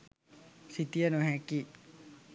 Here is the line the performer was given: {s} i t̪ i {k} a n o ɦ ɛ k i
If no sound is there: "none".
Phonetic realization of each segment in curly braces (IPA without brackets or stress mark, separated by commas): s, none